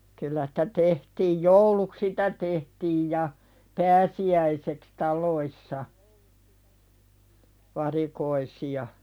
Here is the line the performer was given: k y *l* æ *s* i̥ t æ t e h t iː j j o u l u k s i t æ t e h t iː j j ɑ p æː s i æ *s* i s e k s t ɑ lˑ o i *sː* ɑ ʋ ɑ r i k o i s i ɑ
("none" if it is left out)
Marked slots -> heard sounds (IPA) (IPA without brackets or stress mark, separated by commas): lː, s, none, sː